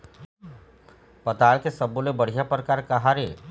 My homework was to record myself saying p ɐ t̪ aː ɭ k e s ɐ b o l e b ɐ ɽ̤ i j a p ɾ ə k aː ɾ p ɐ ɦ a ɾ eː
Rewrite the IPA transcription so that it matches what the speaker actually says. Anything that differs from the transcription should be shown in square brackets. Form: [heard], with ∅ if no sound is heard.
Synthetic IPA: p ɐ t̪ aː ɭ k e s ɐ b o l e b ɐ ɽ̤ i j a p ɾ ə k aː ɾ [k] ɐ ɦ a ɾ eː